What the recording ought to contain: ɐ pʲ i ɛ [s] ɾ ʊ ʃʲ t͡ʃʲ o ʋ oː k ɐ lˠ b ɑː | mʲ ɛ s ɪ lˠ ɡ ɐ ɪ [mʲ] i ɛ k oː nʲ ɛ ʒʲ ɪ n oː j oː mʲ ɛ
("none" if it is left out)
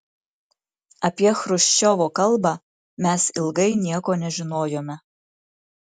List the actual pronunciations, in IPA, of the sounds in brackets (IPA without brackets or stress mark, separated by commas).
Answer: x, nʲ